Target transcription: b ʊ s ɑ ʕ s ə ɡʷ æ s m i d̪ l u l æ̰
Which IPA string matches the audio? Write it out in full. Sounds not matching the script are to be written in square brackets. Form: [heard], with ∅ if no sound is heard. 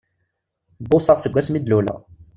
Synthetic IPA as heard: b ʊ s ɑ [ʁ] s ə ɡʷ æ s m i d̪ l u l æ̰

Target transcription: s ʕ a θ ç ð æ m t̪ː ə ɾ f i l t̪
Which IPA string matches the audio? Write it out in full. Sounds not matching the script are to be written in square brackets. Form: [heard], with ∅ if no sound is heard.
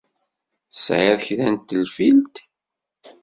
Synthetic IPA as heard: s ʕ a [ð] ç ð æ [n] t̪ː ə [l] f i l t̪

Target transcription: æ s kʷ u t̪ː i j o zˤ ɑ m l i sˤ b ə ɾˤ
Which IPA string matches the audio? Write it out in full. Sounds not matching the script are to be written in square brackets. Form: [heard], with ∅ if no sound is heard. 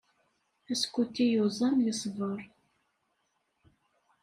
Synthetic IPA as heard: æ s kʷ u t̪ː i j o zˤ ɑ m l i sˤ [v] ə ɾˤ

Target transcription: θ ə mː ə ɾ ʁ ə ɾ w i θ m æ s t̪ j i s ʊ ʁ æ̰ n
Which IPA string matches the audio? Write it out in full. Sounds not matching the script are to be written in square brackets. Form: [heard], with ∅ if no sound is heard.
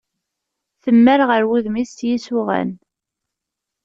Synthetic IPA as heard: θ ə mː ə ɾ ʁ ə ɾ w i [ð] m [i] s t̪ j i s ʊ ʁ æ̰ n

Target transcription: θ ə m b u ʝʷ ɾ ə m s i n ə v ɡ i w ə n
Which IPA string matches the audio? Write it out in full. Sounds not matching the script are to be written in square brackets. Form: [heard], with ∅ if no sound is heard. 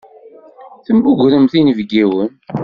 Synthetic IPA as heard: θ ə m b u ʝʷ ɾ ə m [θ] i n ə v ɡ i w ə n

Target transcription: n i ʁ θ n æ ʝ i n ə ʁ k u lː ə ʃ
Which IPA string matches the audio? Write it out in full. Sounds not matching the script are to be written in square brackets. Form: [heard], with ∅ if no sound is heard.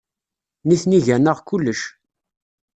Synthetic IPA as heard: n i [∅] θ n [i] ʝ [æ] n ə ʁ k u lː ə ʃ

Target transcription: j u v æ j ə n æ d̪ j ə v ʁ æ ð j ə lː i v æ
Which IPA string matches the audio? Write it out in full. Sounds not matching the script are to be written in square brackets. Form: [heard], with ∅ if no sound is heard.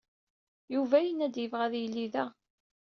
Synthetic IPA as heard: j u v æ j ə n æ d̪ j ə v ʁ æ ð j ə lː i [ð] æ

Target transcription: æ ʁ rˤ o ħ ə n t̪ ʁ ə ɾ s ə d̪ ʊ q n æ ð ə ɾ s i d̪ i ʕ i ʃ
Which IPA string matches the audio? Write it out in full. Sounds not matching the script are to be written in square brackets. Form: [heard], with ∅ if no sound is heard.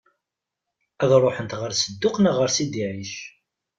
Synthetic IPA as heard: æ [ð] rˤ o ħ ə n t̪ ʁ ə ɾ s ə [d̪ː] ʊ q n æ [ʁ] ə ɾ s i d̪ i ʕ i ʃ

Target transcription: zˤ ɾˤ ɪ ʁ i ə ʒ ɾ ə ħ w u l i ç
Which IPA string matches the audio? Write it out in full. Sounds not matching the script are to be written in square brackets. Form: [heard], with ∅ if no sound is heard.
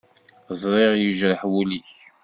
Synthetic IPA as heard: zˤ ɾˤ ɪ ʁ [j] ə ʒ ɾ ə ħ w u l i ç

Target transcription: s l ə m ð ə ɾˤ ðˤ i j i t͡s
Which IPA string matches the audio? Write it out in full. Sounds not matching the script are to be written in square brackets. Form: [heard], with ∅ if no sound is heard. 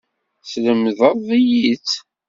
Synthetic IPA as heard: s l ə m ð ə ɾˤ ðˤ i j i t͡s

